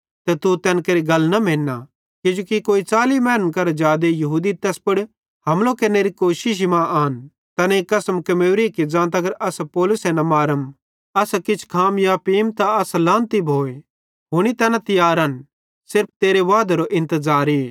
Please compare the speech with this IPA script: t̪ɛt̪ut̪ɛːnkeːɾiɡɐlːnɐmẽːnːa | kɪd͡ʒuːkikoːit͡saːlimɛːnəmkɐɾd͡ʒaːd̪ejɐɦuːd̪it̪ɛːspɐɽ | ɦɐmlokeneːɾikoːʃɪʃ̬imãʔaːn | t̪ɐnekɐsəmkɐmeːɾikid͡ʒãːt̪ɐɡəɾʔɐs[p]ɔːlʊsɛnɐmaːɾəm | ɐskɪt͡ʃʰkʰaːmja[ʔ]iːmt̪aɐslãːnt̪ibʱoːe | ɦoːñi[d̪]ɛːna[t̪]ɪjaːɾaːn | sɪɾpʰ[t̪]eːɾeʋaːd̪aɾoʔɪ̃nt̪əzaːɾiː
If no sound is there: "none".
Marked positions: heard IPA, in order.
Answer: p, p, t̪, t̪, t̪

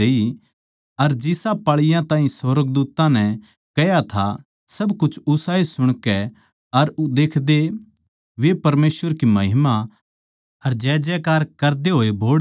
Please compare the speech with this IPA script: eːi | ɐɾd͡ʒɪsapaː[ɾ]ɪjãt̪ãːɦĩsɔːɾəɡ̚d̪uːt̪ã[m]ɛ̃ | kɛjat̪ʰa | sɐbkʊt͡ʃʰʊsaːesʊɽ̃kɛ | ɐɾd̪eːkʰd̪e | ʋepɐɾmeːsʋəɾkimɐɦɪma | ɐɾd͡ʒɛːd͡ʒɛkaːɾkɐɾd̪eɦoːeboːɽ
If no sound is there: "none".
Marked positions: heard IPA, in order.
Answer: ɭ, n

